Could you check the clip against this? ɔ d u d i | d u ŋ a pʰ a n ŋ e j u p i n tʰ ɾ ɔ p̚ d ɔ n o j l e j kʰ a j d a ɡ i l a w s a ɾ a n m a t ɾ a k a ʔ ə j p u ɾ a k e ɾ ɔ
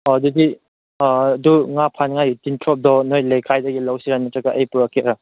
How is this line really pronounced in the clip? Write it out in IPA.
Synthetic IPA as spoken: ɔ d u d i | d u ŋ a pʰ a n ŋ a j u t i n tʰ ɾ ɔ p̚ d ɔ n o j l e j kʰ a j d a ɡ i l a w s i ɾ a n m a t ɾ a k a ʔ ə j p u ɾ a k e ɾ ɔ

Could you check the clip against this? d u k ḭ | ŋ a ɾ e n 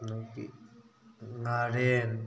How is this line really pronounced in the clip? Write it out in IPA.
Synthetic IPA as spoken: n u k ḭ | ŋ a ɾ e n

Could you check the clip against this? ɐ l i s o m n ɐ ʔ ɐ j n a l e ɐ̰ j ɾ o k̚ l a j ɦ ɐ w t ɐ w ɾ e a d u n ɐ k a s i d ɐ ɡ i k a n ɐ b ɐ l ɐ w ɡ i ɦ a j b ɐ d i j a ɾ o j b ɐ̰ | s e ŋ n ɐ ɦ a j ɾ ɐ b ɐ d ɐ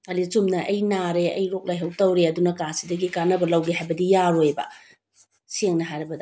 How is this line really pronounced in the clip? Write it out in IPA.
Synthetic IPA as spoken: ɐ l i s u m n ɐ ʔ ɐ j n a ɾ e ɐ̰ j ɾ o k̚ l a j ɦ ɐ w t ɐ w ɾ e ɐ d u n ɐ k a s i d ɐ ɡ i k a n ɐ b ɐ l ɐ w ɡ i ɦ a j b ɐ d i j a ɾ o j b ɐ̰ | s e ŋ n ɐ ɦ a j ɾ ɐ b ɐ d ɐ

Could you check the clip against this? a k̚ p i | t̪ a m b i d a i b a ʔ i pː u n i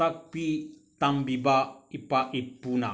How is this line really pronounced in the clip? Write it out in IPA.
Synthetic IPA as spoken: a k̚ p i | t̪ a m b i b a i p a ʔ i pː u n a

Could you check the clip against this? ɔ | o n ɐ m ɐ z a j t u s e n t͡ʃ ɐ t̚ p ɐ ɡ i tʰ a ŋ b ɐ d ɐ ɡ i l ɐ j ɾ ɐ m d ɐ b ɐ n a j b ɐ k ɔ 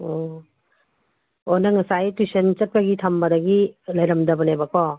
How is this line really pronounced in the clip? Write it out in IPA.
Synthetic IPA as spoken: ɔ | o n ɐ ŋ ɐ s a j t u s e n t͡ʃ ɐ t̚ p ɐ ɡ i tʰ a m b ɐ d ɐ ɡ i l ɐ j ɾ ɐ m d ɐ b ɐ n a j b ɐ k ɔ

